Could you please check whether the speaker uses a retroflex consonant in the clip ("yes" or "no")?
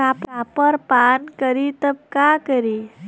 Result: no